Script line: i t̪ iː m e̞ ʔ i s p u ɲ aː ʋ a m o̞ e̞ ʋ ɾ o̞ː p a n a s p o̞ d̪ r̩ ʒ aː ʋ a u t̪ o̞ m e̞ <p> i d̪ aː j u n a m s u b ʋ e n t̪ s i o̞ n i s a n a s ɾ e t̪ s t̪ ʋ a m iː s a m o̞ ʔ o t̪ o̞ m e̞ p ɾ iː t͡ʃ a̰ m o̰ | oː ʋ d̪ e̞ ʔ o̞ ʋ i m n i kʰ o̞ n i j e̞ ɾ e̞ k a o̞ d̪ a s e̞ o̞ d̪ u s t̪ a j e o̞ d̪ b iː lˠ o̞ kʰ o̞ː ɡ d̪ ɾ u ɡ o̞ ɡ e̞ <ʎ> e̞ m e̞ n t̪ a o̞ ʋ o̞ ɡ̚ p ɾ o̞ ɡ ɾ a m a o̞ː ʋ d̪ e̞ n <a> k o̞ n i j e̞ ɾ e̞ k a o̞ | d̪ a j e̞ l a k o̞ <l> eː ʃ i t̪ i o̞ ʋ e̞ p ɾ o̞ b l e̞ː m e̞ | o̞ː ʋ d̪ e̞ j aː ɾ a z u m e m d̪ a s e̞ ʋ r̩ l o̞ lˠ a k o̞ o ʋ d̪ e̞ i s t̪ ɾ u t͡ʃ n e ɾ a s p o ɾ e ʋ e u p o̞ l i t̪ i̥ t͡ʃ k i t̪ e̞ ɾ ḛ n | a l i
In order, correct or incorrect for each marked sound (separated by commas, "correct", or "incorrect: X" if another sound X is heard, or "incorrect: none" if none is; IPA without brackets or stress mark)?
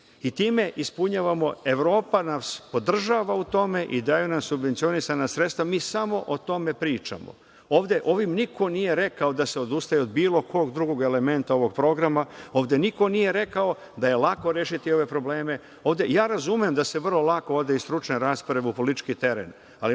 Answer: incorrect: ʔ, incorrect: l, incorrect: i, incorrect: ɾ